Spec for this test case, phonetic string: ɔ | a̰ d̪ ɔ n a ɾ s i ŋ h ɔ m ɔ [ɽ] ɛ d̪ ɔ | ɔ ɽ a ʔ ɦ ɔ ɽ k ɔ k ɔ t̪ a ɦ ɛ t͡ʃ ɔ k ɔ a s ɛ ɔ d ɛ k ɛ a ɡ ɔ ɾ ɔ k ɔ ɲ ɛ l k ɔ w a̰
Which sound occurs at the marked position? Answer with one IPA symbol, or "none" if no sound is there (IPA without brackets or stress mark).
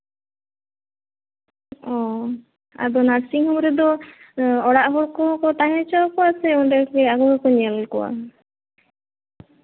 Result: ɾ